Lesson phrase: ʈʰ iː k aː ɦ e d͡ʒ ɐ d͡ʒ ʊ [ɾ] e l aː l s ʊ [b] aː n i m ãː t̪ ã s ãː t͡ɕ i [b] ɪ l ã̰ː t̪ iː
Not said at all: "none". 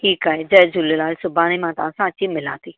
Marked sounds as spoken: l, b, m

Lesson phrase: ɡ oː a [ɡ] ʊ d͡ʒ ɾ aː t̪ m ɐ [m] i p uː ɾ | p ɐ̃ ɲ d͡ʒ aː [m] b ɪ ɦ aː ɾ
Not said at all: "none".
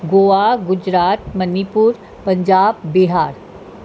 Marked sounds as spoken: ɡ, n, b

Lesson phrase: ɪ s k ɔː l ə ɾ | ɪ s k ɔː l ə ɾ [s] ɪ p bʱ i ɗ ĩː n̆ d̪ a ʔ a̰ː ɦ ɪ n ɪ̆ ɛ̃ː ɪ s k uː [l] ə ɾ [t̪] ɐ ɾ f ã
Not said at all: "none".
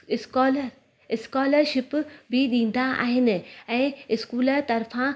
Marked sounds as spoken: ʃ, l, t̪

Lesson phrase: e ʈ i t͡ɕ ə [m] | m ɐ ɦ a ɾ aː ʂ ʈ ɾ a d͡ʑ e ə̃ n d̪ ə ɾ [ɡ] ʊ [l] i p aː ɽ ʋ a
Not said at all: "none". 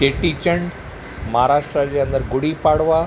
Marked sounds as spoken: ɳ, ɡ, ɽ

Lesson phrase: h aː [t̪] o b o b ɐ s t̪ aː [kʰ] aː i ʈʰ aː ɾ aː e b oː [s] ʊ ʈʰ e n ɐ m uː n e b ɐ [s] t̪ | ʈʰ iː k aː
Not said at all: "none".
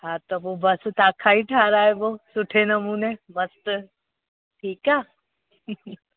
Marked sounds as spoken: t̪, kʰ, s, s

